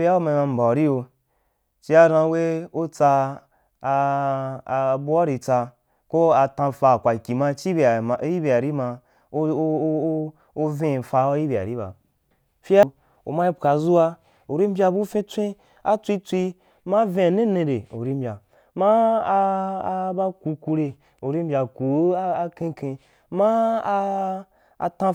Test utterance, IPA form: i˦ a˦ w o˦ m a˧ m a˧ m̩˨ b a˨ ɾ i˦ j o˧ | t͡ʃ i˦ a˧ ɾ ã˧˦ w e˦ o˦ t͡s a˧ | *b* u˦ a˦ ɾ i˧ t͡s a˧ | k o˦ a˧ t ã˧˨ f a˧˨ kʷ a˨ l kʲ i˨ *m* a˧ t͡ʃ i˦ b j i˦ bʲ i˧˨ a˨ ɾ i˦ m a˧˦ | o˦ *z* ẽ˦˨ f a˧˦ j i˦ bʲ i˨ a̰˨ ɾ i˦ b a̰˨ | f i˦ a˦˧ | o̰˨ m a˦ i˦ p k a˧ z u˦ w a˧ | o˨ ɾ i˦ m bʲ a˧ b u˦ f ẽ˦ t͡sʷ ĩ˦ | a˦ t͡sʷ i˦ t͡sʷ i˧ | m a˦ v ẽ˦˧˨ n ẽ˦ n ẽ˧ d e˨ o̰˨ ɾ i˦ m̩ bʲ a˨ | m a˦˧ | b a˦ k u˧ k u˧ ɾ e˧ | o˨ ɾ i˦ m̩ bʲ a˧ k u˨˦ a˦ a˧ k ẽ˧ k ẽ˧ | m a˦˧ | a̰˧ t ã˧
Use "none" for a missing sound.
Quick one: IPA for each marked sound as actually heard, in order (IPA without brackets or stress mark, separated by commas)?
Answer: b, m, v